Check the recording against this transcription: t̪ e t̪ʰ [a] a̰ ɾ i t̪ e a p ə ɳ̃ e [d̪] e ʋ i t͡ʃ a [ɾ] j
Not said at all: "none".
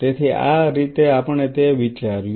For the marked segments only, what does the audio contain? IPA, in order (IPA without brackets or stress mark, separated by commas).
i, t̪, ɾ